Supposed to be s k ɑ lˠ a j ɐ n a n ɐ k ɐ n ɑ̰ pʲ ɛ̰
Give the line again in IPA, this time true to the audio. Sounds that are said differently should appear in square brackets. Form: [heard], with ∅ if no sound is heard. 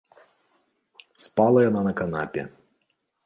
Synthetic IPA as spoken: s [p] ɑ lˠ [ɐ] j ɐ n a n ɐ k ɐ n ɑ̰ pʲ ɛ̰